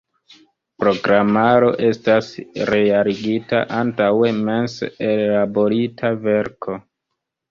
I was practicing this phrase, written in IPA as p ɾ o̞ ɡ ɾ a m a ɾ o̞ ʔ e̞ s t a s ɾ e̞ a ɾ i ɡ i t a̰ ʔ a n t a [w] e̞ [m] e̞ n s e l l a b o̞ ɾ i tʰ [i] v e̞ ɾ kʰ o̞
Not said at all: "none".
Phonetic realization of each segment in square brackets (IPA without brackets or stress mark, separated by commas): w, m, a